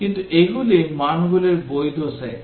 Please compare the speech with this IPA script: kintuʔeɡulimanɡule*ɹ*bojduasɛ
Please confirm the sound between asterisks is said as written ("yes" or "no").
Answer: yes